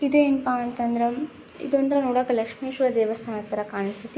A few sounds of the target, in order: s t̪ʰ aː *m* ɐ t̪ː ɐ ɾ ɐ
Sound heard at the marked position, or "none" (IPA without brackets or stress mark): n